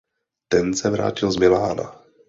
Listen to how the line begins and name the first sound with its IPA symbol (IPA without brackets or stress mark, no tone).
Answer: t̪